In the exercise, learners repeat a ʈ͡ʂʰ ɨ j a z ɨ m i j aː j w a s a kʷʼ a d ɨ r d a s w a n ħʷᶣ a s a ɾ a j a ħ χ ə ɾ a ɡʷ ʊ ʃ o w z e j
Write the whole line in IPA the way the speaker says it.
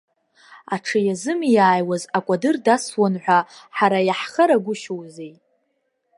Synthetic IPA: a ʈ͡ʂʰ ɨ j a z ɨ m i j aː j w a z a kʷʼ a d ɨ r d a s w a n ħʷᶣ a ħ a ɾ a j a ħ χ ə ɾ a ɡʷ ʊ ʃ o w z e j